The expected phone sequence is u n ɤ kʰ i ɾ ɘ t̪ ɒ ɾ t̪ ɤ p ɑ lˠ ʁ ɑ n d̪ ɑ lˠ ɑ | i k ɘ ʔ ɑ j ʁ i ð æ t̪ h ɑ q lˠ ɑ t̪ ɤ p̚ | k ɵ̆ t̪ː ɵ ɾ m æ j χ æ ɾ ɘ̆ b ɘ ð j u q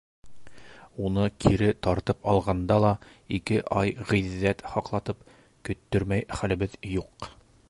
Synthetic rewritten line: u n ɤ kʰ i ɾ ɘ t̪ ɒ ɾ t̪ ɤ p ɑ lˠ ʁ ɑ n d̪ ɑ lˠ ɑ | i k ɘ ʔ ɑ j ʁ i ðː æ t̪ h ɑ q lˠ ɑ t̪ ɤ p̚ | k ɵ̆ t̪ː ɵ ɾ m æ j χ æ l ɘ̆ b ɘ ð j u q